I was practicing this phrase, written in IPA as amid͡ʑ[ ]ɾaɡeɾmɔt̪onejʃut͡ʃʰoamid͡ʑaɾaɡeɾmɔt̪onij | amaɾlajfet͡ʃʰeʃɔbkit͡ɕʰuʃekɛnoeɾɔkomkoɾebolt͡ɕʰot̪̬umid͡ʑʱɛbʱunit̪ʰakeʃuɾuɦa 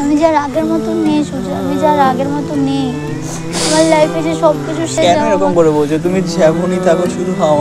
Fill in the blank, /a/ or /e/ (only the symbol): a